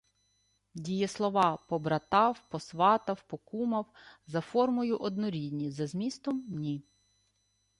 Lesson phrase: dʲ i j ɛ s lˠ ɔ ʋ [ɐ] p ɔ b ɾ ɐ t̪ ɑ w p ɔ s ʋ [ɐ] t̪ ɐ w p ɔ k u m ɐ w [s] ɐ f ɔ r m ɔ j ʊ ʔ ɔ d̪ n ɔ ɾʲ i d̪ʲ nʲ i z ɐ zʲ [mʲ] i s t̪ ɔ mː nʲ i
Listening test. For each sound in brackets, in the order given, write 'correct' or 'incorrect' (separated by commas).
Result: incorrect, incorrect, incorrect, correct